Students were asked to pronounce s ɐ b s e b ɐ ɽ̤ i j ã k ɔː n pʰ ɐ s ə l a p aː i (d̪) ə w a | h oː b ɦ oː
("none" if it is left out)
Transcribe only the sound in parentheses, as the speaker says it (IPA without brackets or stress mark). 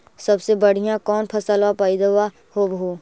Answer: d̪